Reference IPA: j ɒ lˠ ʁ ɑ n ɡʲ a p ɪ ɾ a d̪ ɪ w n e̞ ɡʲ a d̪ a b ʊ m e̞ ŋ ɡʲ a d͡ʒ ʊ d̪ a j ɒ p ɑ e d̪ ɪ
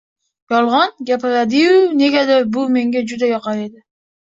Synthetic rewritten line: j ɒ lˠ ʁ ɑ n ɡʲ a p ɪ ɾ a d̪ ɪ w n e̞ ɡʲ a d̪ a b ʊ m e̞ ŋ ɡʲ a d͡ʒ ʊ d̪ a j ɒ q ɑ e d̪ ɪ